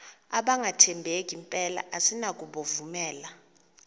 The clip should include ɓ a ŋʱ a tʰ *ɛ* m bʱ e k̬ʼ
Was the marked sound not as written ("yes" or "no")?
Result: no